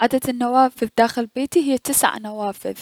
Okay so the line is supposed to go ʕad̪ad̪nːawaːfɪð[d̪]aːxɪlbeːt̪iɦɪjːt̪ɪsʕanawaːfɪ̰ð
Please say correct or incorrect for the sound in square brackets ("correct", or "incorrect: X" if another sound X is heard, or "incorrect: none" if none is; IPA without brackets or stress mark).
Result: correct